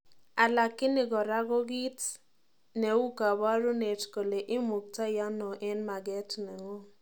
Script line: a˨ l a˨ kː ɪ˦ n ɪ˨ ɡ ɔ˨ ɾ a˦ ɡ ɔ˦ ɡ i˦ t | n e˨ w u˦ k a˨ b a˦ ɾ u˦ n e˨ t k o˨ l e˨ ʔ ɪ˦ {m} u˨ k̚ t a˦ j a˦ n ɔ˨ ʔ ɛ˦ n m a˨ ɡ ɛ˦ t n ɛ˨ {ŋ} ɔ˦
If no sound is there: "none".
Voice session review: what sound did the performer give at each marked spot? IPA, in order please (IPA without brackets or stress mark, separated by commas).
m, ŋ